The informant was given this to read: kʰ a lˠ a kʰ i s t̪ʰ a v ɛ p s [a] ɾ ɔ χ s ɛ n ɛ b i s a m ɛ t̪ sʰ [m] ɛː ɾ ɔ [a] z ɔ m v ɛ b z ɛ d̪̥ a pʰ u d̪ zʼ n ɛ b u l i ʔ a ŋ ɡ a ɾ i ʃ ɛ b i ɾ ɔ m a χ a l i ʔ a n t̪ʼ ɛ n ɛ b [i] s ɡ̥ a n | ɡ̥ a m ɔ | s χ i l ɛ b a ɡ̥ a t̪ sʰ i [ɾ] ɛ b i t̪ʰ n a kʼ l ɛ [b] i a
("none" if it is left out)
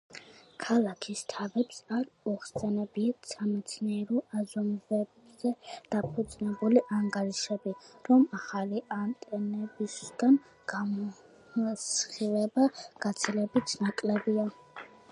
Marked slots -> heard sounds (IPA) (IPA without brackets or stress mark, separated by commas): a, n, a, i, l, b